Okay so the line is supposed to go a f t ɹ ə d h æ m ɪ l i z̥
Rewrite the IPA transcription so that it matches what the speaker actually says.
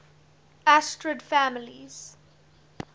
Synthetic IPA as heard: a s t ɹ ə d f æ m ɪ l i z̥